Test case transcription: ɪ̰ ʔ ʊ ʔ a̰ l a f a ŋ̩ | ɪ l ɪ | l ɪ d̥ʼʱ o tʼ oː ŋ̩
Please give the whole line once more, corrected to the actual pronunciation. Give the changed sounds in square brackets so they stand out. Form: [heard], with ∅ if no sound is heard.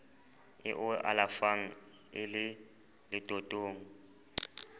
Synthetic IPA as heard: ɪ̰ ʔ ʊ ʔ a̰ l a f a ŋ̩ | ɪ l ɪ | l ɪ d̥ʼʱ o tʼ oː ŋ̩

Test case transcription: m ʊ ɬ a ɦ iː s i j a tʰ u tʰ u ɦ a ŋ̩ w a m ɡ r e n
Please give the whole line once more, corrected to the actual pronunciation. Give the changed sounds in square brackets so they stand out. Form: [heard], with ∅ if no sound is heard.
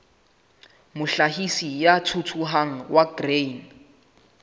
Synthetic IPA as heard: m ʊ ɬ a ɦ [i] s i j a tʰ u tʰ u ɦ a ŋ̩ w a [∅] ɡ r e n

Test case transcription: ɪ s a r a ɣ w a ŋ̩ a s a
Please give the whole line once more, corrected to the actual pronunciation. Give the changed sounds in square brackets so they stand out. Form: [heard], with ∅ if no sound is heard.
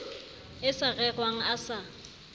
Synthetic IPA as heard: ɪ s a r [ɛ] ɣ w a ŋ̩ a s a

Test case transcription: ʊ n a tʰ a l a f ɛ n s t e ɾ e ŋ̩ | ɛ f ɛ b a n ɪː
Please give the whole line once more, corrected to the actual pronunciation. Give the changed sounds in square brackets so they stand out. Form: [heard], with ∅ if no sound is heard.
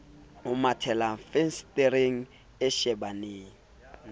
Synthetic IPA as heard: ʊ [m] a tʰ [ɛ] l a f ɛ n s t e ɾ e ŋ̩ | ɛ [ʃ] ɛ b a n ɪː

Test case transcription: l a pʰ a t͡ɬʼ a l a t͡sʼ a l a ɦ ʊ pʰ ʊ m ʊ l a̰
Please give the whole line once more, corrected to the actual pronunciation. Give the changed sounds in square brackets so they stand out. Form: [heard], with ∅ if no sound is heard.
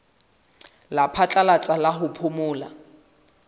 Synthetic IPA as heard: l a pʰ a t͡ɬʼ a l a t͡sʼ a l a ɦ ʊ pʰ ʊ m [ʊː] l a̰

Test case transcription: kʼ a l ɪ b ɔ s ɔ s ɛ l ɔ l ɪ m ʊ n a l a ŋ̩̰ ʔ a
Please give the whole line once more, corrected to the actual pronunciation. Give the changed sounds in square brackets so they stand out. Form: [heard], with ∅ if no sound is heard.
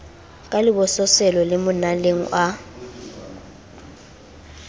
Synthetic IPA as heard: kʼ a l ɪ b ɔ s ɔ s ɛ l ɔ l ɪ m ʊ n a l [e] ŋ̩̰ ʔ a

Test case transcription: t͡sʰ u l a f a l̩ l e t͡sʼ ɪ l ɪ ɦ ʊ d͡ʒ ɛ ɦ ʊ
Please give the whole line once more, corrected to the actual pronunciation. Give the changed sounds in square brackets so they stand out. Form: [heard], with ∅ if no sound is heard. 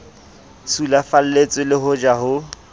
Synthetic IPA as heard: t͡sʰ u l a f a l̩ l e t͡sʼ ɪ l ɪ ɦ ʊ d͡ʒ [a] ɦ ʊ

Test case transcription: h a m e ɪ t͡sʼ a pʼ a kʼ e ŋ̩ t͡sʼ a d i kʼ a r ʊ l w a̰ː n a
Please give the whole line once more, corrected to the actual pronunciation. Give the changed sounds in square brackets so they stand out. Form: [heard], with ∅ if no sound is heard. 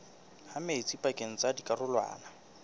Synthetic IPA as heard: h a m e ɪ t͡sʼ [i] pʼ a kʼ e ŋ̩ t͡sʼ a d i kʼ a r ʊ l w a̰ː n a

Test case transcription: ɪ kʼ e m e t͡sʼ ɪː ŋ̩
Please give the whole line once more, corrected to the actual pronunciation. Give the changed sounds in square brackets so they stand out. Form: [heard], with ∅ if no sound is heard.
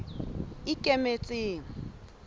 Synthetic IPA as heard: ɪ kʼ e m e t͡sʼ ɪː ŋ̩

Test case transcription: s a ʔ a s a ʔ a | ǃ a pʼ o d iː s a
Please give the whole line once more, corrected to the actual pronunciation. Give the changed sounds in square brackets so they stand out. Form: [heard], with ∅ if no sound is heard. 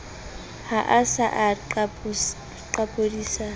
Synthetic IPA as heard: [h] a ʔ a s a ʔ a | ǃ a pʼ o d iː s a

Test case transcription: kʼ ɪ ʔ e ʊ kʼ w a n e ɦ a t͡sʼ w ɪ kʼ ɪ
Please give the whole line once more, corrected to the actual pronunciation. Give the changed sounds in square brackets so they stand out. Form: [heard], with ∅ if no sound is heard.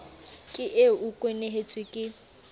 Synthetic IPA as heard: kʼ ɪ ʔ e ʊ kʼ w [e] n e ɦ [e] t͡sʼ w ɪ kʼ ɪ

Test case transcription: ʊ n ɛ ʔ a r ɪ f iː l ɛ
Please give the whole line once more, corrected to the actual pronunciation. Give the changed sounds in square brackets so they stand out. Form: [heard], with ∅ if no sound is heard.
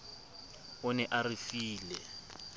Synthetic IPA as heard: ʊ n ɛ ʔ a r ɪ f iː l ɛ

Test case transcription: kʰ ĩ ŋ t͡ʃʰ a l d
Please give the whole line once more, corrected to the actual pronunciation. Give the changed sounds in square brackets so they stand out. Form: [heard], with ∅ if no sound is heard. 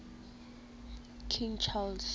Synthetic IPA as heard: kʰ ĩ ŋ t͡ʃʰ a l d

